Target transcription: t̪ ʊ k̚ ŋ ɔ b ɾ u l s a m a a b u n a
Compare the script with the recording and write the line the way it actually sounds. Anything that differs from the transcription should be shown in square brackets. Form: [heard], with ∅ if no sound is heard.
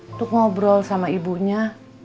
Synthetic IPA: t̪ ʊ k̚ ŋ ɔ b ɾ [ɔ] l s a m a [i] b u [ɲ] a

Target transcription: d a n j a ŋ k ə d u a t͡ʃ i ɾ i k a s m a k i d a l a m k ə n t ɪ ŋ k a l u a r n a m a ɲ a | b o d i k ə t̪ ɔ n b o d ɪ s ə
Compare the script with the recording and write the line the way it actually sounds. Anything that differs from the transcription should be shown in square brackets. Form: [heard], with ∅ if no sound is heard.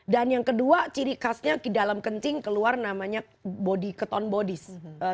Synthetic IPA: d a n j a ŋ k ə d u a t͡ʃ i ɾ i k a s [ɲ] a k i d a l a m k ə n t ɪ ŋ k [ə] l u a r n a m a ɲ a | b o d i k ə t̪ ɔ n b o d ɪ s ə

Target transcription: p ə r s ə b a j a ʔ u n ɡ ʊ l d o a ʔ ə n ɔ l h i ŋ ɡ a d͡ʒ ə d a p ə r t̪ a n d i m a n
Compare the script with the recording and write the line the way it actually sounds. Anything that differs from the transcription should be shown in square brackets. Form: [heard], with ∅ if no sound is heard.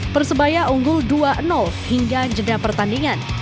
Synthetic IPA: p ə r s ə b a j a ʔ u [ŋ] ɡ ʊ l d [u] a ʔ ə n ɔ l h i ŋ ɡ a d͡ʒ ə d a p ə r t̪ a n d i [ŋ] a n

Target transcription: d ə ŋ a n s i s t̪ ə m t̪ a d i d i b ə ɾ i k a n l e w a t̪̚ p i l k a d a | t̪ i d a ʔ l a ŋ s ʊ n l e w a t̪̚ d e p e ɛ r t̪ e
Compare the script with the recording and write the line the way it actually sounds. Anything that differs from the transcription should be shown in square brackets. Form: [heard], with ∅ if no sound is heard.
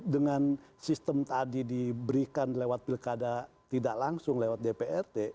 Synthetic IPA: d ə ŋ a n s i s t̪ ə m t̪ a d i d i b ə ɾ i k a n l e w a t̪̚ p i l k a d a | t̪ i d a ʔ l a ŋ s ʊ [ŋ] l e w a t̪̚ d e p e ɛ r t̪ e

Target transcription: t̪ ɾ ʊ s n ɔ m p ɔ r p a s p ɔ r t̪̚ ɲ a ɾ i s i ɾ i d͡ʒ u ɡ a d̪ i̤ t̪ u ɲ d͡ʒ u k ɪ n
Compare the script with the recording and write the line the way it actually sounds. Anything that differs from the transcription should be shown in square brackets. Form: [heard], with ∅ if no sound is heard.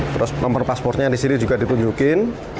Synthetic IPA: t̪ ɾ ʊ s n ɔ m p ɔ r p a s p ɔ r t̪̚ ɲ a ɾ i s i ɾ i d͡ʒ u ɡ a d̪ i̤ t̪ u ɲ d͡ʒ u k ɪ n

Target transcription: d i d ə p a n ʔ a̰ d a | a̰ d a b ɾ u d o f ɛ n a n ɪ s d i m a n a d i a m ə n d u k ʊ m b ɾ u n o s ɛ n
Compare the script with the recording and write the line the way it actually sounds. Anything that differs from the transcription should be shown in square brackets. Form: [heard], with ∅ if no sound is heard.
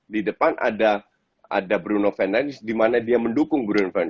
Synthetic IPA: d i d ə p a n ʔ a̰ d a | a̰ d a b ɾ u [n] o f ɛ n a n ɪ s d i m a n a d i a m ə n d u k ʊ [ŋ] b ɾ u n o [f] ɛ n

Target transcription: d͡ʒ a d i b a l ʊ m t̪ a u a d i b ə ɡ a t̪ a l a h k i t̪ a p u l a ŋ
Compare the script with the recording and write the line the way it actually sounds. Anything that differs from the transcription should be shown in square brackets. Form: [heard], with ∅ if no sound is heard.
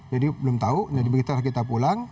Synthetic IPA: d͡ʒ a d i b [ə] l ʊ m t̪ a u a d i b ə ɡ [i] t̪ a l a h k i t̪ a p u l a ŋ

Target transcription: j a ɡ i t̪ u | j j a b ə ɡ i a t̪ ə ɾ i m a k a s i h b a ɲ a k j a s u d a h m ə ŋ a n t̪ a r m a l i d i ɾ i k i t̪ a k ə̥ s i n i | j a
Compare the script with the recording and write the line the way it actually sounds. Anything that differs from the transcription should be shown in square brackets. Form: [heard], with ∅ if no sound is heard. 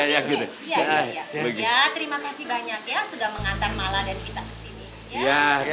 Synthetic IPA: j a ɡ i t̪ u | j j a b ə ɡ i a t̪ ə ɾ i m a k a s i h b a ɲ a k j a s u d a h m ə ŋ a n t̪ a r m a l [a] d [a] ɾ i k i t̪ a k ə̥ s i n i | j a

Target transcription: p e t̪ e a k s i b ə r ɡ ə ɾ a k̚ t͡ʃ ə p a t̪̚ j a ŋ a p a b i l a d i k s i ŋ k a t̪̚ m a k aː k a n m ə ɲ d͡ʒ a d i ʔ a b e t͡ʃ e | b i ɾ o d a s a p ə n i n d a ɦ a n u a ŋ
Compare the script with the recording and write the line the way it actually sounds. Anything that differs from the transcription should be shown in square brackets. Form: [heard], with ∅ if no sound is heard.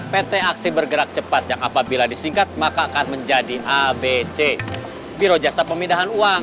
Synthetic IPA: p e t̪ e a k s i b ə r ɡ ə ɾ a k̚ t͡ʃ ə p a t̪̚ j a ŋ a p a b i l a d i [∅] s i ŋ k a t̪̚ m a k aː k a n m ə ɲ d͡ʒ a d i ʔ a b e t͡ʃ e | b i ɾ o [d͡ʒ] a s a p ə [m] i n d a ɦ a n u a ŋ

